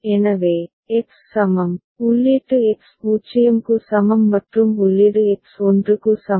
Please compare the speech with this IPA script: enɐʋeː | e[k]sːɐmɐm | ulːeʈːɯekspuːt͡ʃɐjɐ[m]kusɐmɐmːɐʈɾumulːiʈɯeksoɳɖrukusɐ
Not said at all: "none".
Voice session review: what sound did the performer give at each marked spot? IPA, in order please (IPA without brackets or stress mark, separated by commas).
k, m